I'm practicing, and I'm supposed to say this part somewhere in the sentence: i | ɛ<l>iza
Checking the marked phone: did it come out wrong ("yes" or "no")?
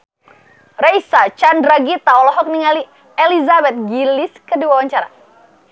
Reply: no